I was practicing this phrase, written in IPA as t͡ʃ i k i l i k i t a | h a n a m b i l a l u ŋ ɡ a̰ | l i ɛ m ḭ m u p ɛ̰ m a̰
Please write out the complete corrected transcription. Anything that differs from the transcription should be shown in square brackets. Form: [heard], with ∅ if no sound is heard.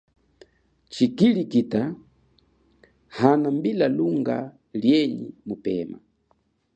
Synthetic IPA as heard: t͡ʃ i k i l i k i t a | h a n a m b i l a l u ŋ ɡ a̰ | l [j] ɛ [ɲ] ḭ m u p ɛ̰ m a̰

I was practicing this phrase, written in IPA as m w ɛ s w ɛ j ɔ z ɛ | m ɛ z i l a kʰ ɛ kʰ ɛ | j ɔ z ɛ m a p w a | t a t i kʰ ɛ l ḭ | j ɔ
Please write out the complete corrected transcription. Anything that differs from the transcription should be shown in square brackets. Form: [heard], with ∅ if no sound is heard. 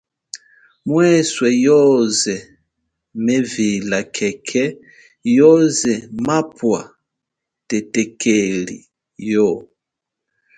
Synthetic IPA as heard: m w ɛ s w ɛ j ɔ z ɛ | m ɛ [v] i l a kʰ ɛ kʰ ɛ | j ɔ z ɛ m a p w a | t [ɛ] t [ɛ] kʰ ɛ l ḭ | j ɔ

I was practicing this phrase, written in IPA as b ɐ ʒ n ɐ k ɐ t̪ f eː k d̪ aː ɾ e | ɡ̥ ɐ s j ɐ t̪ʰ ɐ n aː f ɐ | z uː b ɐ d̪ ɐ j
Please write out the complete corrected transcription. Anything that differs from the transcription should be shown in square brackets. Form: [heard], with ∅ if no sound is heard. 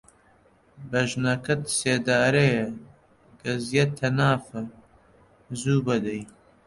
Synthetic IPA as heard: b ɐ ʒ n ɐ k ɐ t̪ [s] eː [∅] d̪ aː ɾ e | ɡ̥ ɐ [z] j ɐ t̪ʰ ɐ n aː f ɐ | z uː b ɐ d̪ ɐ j

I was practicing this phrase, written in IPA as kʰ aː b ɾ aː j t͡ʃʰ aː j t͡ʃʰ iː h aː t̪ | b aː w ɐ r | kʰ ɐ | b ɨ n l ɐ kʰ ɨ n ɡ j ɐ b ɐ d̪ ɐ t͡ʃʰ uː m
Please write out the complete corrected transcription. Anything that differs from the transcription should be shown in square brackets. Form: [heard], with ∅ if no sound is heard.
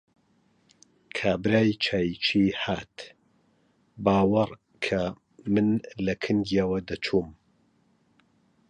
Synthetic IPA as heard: kʰ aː b ɾ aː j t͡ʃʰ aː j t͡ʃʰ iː h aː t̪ | b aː w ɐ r | kʰ ɐ | [m] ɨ n l ɐ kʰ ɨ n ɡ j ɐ [w] ɐ d̪ ɐ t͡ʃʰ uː m

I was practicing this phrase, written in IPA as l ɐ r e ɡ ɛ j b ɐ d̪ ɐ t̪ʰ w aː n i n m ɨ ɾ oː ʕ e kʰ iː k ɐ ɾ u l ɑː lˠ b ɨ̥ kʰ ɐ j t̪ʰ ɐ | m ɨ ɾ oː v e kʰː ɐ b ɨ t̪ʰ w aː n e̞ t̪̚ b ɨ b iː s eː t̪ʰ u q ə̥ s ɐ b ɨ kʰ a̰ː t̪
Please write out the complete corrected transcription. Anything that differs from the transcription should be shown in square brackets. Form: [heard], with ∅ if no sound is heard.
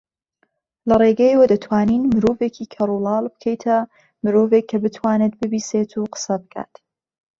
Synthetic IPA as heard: l ɐ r e ɡ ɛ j [w] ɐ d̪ ɐ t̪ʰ w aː n i n m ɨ ɾ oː [v] e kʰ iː [kʰ] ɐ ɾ u l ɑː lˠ b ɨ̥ kʰ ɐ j t̪ʰ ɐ | m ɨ ɾ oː v e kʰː ɐ b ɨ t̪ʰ w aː n e̞ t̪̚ b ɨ b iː s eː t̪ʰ u q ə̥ s ɐ b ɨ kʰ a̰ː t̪

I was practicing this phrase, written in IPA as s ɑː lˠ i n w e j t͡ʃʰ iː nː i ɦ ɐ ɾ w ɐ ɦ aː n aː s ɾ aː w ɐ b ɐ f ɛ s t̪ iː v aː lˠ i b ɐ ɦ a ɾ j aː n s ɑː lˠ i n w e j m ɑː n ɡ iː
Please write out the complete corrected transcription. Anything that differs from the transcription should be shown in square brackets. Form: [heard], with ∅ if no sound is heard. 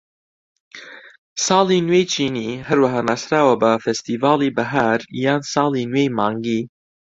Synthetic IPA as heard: s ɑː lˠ i n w e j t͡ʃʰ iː [n] i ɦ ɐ ɾ w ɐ ɦ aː n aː s ɾ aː w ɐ b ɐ f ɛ s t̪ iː v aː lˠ i b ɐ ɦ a ɾ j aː n s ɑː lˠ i n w e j m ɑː [ŋ] ɡ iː

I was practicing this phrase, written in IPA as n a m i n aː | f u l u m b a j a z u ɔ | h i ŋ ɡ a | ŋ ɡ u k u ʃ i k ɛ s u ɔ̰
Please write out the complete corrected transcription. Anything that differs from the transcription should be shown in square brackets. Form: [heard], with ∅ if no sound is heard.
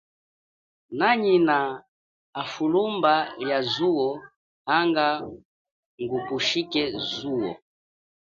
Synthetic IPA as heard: n a [ɲ] i n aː | f u l u m b a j a z u ɔ | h [a] ŋ ɡ a | ŋ ɡ u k u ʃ i k ɛ [z] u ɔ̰

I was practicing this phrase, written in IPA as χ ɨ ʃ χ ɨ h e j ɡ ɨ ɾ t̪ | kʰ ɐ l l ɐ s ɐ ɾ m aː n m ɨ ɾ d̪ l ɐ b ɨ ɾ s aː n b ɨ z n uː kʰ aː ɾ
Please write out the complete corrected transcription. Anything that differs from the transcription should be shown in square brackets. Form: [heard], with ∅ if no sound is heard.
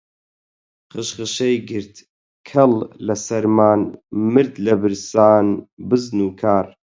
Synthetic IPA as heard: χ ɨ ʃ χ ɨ [ʃ] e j ɡ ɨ ɾ t̪ | kʰ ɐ l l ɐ s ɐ ɾ m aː n m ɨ ɾ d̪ l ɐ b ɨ ɾ s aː n b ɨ z n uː kʰ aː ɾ

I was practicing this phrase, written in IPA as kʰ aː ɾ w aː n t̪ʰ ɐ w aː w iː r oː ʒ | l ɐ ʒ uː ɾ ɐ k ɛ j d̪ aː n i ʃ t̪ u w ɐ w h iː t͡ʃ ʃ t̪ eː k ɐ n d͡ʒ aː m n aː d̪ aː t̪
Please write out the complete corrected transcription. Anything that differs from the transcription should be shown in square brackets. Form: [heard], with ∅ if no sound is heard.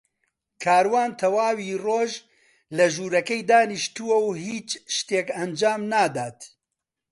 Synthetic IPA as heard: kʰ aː ɾ w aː n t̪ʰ ɐ w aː w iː r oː ʒ | l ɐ ʒ uː ɾ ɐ k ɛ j d̪ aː n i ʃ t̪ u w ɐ w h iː t͡ʃ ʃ t̪ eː k ɐ n d͡ʒ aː m n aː d̪ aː t̪

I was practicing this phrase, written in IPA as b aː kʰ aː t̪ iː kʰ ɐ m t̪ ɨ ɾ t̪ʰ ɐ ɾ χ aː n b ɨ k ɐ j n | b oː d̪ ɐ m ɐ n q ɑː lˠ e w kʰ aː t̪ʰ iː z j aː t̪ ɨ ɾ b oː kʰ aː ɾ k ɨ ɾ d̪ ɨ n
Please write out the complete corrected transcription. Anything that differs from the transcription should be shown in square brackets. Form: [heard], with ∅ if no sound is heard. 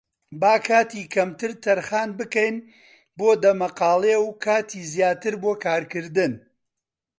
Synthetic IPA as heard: b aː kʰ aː t̪ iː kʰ ɐ m t̪ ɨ ɾ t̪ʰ ɐ ɾ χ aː n b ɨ k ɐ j n | b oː d̪ ɐ m ɐ [∅] q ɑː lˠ e w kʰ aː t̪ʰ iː z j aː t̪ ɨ ɾ b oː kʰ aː ɾ k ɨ ɾ d̪ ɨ n

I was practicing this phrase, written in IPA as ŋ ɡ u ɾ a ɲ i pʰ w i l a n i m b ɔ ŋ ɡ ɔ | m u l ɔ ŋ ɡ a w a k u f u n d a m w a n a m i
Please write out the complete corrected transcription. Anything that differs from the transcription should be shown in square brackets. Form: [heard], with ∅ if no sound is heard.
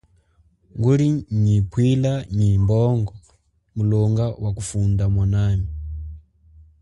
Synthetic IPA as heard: ŋ ɡ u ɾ [i] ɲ i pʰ w i l a [ɲ] i m b ɔ ŋ ɡ ɔ | m u l ɔ ŋ ɡ a w a k u f u n d a m w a n a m i

